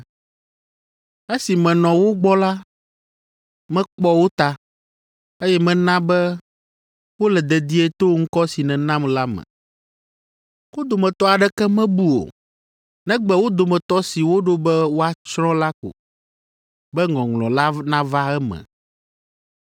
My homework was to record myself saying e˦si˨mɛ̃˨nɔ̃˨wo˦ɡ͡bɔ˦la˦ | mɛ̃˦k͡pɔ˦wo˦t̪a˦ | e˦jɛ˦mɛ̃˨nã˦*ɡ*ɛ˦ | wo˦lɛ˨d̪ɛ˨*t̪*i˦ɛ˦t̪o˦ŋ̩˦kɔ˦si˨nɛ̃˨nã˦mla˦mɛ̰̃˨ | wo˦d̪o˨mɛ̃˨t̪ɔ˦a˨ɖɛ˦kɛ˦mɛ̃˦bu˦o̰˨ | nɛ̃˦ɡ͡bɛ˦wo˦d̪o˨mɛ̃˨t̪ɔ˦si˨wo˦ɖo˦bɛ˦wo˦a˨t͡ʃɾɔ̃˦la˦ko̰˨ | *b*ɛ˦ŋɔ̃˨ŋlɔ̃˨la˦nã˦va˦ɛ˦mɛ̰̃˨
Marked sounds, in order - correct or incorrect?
incorrect: b, incorrect: d̪, correct

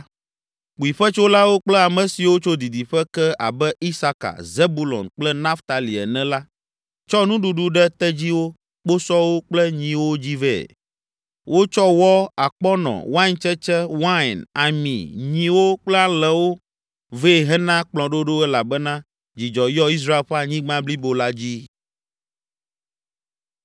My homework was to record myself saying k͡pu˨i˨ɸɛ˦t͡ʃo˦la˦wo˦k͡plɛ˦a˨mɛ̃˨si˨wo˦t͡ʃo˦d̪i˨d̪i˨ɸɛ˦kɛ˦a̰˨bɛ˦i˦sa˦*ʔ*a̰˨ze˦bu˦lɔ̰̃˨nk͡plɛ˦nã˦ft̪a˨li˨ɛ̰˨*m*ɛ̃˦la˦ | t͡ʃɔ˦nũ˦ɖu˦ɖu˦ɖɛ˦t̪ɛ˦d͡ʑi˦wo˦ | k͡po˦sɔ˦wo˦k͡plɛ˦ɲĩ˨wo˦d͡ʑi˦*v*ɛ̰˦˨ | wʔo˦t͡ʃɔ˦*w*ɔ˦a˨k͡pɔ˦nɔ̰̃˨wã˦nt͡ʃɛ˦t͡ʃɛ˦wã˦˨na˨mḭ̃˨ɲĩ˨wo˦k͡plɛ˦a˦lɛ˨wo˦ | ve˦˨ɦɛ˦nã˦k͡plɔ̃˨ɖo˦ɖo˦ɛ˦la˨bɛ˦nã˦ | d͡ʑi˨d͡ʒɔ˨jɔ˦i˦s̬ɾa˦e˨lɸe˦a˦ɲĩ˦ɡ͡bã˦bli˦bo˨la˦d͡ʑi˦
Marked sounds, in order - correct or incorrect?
incorrect: k, incorrect: n, correct, correct

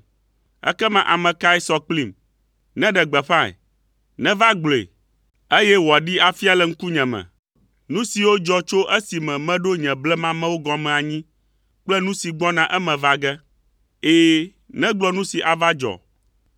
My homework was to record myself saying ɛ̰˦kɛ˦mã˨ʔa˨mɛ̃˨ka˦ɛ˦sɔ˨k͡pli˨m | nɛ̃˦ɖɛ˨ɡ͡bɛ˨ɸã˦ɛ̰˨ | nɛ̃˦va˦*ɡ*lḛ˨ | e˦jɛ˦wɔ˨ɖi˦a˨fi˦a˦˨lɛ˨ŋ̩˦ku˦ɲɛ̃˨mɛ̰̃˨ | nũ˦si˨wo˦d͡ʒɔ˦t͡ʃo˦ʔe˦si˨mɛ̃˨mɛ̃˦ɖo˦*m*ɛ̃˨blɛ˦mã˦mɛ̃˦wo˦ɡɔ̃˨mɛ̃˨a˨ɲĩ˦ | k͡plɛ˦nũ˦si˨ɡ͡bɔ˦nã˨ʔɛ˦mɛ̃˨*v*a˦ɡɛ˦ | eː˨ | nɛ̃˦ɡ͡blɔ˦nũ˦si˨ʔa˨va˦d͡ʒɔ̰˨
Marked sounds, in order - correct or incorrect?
incorrect: ɡ͡b, incorrect: ɲ, correct

